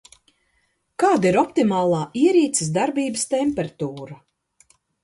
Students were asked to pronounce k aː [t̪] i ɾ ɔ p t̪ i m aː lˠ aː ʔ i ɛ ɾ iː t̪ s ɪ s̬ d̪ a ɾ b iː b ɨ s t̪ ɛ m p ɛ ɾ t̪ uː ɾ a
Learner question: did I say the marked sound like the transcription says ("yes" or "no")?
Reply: no